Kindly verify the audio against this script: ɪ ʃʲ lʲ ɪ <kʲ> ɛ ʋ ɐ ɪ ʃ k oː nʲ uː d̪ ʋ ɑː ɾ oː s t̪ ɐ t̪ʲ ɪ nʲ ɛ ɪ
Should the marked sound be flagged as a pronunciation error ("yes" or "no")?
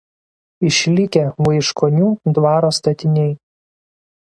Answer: no